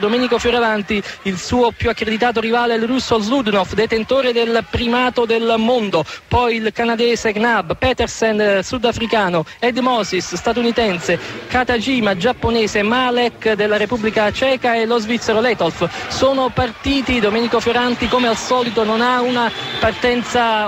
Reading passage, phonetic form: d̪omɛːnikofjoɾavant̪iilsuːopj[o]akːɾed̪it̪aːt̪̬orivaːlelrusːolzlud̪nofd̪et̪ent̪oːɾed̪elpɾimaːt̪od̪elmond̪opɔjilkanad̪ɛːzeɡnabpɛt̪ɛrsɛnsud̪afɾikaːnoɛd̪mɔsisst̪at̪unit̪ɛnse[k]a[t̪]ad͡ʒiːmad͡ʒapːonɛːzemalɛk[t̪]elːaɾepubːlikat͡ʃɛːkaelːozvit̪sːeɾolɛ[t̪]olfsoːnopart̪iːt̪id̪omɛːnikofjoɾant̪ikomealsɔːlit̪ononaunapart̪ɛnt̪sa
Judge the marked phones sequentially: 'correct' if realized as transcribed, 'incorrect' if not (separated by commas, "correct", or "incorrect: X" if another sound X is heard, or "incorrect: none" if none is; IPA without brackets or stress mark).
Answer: incorrect: u, correct, correct, incorrect: d̪, correct